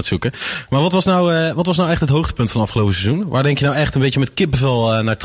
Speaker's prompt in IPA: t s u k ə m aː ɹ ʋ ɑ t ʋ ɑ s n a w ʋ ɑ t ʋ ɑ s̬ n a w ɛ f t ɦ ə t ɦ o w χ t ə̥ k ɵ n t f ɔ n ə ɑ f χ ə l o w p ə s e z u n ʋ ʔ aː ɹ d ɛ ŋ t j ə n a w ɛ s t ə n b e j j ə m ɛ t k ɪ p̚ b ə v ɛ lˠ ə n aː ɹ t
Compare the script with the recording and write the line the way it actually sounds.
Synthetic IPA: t s u k ə m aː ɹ ʋ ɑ t ʋ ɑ s n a w ʋ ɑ t ʋ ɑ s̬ n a w ɛ χ t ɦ ə t ɦ o w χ t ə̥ p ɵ n t f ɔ n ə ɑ f χ ə l o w p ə s e z u n ʋ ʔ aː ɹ d ɛ ŋ k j ə n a w ɛ χ t ə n b e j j ə m ɛ t k ɪ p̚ b ə v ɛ lˠ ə n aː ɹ t